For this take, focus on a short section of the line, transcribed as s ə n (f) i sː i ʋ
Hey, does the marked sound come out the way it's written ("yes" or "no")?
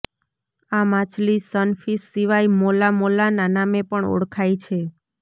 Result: yes